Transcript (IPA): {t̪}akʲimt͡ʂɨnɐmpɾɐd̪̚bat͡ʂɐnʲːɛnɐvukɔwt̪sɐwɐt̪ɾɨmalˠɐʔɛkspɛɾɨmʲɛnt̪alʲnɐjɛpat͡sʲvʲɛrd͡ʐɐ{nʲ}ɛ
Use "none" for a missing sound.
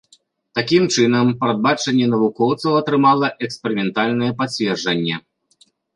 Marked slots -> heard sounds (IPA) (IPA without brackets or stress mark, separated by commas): t̪, nʲː